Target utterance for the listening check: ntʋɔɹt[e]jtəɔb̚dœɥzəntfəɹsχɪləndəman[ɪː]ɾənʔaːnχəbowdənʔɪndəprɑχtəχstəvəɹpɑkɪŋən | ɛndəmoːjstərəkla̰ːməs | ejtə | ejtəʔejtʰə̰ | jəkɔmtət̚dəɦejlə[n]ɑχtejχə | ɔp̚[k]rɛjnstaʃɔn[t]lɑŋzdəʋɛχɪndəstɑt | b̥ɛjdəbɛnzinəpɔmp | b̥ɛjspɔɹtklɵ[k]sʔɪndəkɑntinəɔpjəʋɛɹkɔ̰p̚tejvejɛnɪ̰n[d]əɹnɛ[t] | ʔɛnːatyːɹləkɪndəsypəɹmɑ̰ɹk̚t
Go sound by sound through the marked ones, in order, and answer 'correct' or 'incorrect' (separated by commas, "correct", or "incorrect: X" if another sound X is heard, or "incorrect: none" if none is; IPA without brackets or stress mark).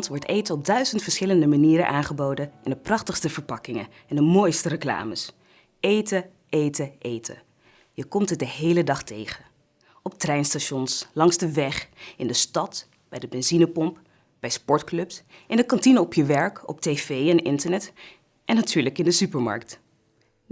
correct, incorrect: iː, incorrect: d, incorrect: t, incorrect: s, incorrect: p, incorrect: t, correct